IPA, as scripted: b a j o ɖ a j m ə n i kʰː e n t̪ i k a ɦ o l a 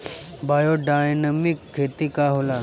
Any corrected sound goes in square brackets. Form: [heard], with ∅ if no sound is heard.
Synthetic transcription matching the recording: b a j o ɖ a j [n] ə [m] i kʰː e [∅] t̪ i k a ɦ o l a